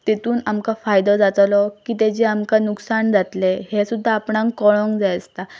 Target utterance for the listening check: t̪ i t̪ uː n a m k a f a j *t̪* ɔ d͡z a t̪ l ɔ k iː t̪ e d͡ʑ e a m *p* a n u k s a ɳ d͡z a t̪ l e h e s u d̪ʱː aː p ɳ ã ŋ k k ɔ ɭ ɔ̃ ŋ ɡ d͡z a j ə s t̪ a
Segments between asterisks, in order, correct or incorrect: incorrect: d̪, incorrect: k

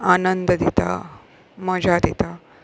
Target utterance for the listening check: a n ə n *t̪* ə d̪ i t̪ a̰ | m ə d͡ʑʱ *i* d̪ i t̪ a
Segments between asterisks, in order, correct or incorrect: incorrect: d̪, incorrect: a

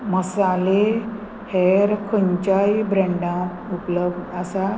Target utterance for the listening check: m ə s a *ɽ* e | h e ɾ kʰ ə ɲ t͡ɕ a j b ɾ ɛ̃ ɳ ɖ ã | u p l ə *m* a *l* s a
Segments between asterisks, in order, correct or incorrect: incorrect: l, incorrect: b, incorrect: none

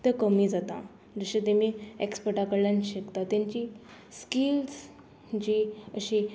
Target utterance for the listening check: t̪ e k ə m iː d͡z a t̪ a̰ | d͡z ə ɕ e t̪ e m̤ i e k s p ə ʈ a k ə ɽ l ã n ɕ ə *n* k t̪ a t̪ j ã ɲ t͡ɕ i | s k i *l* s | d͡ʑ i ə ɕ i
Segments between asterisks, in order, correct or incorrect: incorrect: none, correct

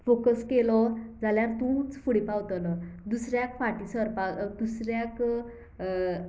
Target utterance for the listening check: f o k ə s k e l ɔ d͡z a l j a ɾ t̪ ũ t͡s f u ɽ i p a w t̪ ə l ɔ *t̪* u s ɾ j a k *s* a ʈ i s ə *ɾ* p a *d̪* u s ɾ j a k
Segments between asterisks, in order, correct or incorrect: incorrect: d̪, incorrect: f, correct, correct

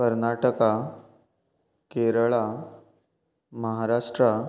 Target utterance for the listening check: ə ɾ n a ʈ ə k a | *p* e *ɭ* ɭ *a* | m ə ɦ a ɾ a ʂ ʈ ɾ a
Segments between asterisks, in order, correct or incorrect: incorrect: k, incorrect: ɾ, correct

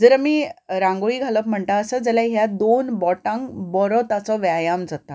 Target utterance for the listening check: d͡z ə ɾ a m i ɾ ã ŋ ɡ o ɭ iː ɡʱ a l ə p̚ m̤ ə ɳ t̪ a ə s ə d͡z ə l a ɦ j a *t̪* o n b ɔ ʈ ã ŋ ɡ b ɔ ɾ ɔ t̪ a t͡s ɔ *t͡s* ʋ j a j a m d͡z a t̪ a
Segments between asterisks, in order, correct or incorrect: incorrect: d̪, incorrect: none

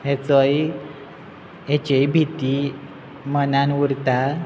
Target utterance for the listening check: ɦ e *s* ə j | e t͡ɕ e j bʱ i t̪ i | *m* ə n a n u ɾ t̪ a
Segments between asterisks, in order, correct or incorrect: incorrect: t͡s, correct

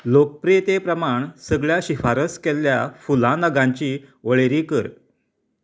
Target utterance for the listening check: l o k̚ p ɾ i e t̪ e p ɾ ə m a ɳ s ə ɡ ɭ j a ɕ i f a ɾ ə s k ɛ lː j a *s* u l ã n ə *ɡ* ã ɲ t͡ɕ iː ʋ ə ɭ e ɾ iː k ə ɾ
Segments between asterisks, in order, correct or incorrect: incorrect: f, correct

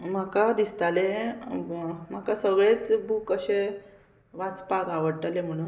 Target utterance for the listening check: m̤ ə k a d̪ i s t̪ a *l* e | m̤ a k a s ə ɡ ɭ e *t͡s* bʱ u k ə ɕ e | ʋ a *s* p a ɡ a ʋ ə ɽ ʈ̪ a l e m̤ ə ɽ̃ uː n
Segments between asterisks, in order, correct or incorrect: correct, correct, incorrect: t͡s

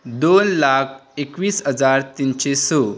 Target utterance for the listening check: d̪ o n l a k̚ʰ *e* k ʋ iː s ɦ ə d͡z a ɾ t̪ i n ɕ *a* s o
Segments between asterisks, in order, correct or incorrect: correct, incorrect: e

